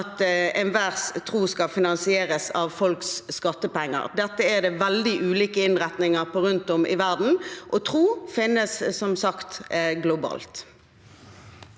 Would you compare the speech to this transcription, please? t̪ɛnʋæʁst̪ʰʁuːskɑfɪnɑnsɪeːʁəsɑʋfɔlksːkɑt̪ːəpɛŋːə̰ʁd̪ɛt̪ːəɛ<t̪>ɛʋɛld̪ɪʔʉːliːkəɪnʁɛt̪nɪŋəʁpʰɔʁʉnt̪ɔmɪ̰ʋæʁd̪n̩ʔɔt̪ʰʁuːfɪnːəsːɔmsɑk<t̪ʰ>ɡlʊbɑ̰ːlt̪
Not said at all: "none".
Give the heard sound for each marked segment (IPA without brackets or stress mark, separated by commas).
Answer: d̪, t̪